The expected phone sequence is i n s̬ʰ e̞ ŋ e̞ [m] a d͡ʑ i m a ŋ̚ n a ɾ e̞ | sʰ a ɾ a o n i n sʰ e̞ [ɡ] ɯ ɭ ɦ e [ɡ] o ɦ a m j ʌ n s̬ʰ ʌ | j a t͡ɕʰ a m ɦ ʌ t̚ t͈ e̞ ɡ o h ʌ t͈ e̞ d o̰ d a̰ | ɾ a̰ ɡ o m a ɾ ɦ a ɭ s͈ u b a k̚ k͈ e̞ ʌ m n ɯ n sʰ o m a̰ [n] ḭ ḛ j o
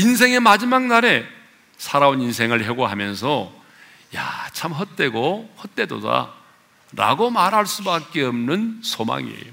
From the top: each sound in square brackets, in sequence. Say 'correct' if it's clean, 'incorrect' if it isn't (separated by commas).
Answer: correct, incorrect, correct, incorrect